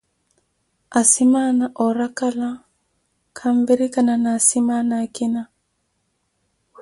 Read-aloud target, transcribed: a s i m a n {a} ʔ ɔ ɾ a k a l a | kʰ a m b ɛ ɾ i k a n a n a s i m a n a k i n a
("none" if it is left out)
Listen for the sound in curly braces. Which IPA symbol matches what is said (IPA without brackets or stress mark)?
a